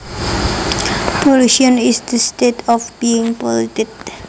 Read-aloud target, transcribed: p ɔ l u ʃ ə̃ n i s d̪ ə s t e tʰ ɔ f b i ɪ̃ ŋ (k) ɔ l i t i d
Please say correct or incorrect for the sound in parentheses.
incorrect